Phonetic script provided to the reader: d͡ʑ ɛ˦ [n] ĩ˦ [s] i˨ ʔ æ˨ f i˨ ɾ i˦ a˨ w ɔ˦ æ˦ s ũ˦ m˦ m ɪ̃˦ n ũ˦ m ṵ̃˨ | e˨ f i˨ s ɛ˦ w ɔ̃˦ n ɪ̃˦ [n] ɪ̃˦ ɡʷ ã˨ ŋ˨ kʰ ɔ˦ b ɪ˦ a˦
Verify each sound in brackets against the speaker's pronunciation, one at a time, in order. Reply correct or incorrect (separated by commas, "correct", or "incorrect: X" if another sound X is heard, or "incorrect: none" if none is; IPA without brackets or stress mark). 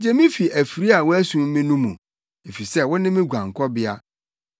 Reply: incorrect: m, incorrect: f, incorrect: m